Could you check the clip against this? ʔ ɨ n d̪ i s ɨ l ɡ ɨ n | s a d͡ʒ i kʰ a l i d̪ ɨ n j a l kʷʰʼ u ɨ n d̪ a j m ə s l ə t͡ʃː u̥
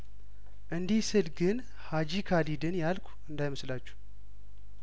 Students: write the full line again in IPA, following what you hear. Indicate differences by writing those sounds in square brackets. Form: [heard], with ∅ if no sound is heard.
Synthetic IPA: ʔ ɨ n d̪ i s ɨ l ɡ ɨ n | [h] a d͡ʒ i kʰ a l i d̪ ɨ n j a l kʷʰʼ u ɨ n d̪ a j m ə s l [a] t͡ʃː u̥